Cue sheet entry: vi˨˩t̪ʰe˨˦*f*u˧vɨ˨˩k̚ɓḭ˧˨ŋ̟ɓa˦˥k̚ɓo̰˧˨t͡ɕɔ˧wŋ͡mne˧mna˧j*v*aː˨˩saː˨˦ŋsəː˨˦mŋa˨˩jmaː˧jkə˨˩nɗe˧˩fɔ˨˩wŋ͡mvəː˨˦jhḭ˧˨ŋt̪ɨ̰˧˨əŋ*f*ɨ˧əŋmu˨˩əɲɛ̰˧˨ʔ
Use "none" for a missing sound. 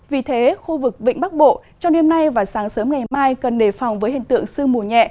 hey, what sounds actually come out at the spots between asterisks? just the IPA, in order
x, v, s

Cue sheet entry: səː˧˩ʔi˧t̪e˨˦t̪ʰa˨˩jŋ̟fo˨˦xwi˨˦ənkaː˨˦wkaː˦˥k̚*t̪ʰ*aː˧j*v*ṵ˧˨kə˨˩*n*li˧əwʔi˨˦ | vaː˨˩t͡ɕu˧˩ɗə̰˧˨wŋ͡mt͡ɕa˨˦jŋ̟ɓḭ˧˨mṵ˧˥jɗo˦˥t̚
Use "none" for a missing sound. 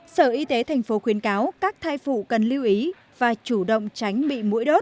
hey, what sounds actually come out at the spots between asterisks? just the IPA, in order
t̪ʰ, f, n

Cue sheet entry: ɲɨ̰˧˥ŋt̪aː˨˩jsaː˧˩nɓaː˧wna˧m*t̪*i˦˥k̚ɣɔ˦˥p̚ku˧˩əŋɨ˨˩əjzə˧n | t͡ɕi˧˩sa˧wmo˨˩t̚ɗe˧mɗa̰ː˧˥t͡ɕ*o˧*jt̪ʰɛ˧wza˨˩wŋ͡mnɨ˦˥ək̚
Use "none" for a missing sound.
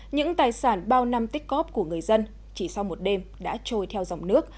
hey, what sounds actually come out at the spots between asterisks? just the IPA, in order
t̪, o˧

